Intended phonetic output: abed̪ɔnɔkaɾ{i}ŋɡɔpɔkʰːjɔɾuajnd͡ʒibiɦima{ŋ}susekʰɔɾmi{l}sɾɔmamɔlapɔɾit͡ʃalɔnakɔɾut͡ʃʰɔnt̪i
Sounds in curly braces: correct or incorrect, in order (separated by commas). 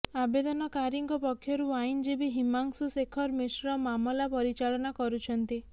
correct, correct, incorrect